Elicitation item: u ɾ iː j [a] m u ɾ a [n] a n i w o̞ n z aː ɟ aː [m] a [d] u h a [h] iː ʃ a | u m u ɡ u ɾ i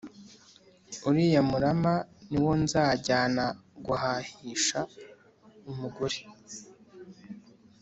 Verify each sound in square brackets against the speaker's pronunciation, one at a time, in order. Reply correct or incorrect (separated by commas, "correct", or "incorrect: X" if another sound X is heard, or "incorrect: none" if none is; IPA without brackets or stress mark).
correct, incorrect: m, incorrect: n, incorrect: ɡ, correct